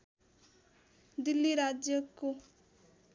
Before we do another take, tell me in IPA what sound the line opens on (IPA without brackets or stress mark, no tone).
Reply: d̪